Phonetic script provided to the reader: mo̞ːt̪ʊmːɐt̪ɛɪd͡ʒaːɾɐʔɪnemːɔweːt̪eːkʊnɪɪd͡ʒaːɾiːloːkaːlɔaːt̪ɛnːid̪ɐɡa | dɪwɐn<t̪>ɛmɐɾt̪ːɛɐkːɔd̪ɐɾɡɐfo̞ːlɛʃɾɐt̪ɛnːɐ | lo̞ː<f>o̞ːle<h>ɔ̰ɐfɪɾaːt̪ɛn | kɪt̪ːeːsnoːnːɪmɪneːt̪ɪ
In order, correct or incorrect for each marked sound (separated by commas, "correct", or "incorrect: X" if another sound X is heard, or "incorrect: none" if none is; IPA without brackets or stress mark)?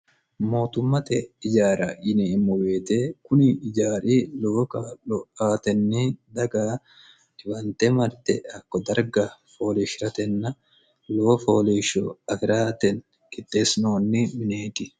correct, correct, incorrect: ʃ